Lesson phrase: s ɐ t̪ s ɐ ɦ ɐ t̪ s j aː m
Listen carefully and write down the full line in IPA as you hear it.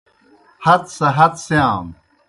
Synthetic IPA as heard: h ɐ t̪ s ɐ ɦ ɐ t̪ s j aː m